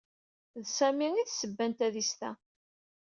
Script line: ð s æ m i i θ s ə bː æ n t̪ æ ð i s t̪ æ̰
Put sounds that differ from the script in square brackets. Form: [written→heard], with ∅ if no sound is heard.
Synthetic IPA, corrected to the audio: ð s æ m i i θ s ə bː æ n t̪ æ ð i s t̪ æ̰

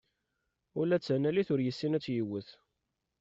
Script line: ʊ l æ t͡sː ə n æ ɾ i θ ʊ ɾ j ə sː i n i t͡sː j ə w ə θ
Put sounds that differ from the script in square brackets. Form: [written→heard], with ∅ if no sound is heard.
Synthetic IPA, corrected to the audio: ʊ l æ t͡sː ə n æ [ɾ→l] i θ ʊ ɾ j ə sː i n [i→æ] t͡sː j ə w ə θ

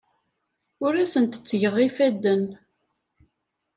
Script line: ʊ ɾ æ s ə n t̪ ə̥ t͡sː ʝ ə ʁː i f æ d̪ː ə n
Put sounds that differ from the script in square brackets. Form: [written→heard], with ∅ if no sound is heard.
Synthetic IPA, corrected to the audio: ʊ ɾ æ s ə n t̪ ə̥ t͡sː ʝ ə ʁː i f æ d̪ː ə n

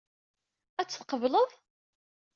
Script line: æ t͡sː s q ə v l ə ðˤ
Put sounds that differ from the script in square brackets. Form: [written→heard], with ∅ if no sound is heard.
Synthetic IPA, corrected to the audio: æ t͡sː [s→θ] q ə v l ə ðˤ

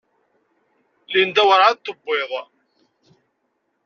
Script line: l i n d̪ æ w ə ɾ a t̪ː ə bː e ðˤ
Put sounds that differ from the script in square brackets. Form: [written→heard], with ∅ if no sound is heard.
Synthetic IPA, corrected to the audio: l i n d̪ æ w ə ɾ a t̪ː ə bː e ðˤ

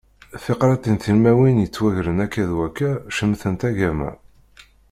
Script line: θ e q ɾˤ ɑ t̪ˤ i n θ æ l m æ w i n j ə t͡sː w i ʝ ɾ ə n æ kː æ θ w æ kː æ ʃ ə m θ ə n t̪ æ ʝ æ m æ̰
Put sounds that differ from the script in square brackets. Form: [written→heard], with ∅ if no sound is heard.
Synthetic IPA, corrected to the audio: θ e q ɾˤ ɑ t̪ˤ i n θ [æ→i] l m æ w i n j ə t͡sː w [i→æ] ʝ ɾ ə n æ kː æ [θ→ð] w æ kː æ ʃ ə m θ ə n t̪ æ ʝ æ m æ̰

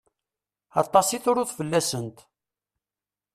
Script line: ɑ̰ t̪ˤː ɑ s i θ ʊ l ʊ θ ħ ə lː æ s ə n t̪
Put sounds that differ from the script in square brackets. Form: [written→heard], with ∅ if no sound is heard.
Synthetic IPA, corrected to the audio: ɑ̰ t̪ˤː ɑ s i θ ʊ [l→ɾ] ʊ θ [ħ→f] ə lː æ s ə n t̪

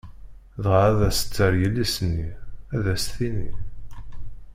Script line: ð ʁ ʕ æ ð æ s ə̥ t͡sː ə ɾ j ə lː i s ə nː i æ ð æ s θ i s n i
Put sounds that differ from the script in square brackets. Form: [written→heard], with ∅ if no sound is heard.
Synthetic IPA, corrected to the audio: ð ʁ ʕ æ ð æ s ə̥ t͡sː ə ɾ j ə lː i s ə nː i æ ð æ s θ i [s→∅] n i

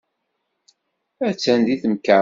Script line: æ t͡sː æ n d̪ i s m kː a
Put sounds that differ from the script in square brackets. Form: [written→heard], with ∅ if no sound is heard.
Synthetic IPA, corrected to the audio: æ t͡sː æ n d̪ i [s→θ] m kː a

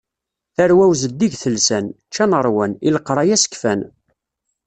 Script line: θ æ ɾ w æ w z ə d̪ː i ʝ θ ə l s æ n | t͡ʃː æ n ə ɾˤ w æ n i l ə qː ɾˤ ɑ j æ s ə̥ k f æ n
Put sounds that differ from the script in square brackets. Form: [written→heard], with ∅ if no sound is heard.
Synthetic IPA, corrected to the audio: θ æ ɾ w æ w z ə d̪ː i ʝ θ ə l s æ n | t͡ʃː æ n ə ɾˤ w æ n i l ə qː ɾˤ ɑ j æ s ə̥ k f æ n

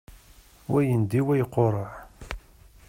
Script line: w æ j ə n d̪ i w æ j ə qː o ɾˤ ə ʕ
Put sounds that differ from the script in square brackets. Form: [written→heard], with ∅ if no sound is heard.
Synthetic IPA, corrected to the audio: w æ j ə n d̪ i w æ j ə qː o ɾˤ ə ʕ

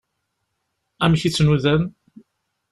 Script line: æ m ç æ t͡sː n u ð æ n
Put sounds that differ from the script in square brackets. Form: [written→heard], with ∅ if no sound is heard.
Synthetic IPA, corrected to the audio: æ m ç [æ→i] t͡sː n u ð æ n

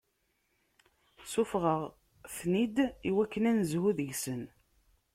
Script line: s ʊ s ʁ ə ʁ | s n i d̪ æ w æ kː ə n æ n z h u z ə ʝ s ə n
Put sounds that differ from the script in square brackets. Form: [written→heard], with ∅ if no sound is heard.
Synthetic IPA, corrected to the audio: s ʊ [s→f] ʁ ə ʁ | [s→θ] n i d̪ [æ→i] w æ kː ə n æ n z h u [z→ð] ə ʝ s ə n

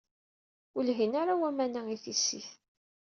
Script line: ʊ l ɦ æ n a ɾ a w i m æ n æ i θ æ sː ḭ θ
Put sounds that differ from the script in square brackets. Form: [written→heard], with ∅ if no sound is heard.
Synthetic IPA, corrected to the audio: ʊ l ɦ [æ→i] n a ɾ a w [i→æ] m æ n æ i θ [æ→i] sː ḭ θ

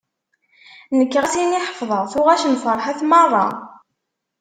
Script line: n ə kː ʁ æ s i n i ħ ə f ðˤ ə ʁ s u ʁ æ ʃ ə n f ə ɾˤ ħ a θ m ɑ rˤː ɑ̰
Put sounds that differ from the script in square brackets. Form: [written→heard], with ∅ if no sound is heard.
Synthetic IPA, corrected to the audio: n ə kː ʁ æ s i n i ħ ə f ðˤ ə ʁ [s→θ] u ʁ æ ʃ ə n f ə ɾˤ ħ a θ m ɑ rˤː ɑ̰

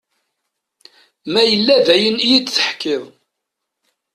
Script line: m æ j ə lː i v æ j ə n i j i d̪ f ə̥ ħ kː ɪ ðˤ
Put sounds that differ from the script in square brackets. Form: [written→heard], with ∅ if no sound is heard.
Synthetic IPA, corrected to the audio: m æ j ə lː [i→æ] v æ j ə n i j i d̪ [f→θ] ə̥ ħ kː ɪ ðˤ

